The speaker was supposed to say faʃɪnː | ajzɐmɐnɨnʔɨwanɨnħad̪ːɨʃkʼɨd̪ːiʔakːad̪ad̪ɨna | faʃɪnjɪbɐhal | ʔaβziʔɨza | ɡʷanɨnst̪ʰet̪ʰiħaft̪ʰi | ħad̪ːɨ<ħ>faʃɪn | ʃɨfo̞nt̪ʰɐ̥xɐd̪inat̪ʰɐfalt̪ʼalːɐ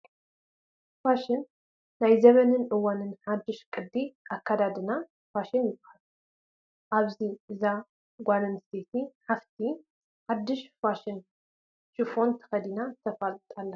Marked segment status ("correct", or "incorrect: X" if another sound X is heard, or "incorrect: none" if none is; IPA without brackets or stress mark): incorrect: ʃ